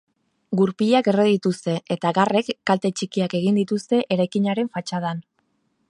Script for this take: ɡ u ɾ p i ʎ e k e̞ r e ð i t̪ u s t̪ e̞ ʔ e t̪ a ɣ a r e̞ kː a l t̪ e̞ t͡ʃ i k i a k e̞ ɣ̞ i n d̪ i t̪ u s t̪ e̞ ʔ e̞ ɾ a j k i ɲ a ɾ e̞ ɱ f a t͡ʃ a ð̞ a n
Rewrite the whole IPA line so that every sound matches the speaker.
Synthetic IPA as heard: ɡ u ɾ p i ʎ a k e̞ r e ð i t̪ u s t̪ e̞ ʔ e t̪ a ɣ a r e̞ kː a l t̪ e̞ t͡ʃ i k i a k e̞ ɣ̞ i n d̪ i t̪ u s t̪ e̞ ʔ e̞ ɾ a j k i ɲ a ɾ e̞ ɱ f a t͡ʃ a ð̞ a n